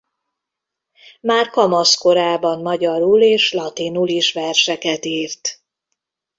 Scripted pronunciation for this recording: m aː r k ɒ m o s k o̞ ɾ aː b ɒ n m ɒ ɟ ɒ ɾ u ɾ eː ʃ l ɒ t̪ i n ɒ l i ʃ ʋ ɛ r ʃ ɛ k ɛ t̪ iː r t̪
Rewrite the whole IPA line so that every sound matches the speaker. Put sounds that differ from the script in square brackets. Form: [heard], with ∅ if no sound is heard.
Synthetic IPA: m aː r k ɒ m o s k o̞ ɾ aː b ɒ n m ɒ ɟ ɒ ɾ u [l] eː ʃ l ɒ t̪ i n [u] l i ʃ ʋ ɛ r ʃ ɛ k ɛ t̪ iː r t̪